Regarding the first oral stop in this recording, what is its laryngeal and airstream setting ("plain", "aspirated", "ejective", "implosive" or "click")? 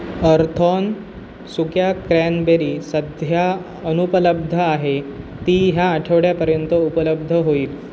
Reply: aspirated